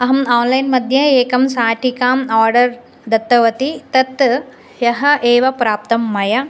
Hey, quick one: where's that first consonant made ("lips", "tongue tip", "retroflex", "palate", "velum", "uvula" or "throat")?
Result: throat